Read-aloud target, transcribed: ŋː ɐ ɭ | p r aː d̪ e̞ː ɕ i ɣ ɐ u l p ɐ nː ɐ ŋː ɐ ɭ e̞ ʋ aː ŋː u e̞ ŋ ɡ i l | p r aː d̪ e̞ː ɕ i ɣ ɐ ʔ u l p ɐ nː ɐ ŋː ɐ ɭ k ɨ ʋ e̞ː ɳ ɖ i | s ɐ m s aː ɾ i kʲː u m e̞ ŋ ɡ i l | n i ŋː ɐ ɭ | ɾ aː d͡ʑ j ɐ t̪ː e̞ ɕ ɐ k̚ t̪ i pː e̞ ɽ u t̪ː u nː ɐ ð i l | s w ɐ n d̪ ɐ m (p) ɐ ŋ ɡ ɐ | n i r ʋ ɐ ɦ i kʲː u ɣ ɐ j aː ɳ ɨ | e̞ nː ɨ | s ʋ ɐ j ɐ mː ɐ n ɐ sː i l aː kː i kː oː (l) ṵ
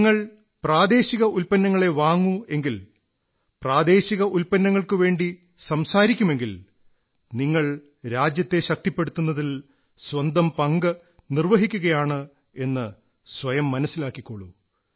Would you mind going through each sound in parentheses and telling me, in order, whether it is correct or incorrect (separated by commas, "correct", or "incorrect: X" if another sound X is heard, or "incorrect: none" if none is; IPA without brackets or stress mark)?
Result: correct, incorrect: ɭ